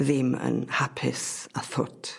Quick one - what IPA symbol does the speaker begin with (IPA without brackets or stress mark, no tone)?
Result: ð